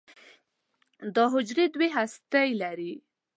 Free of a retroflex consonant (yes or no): yes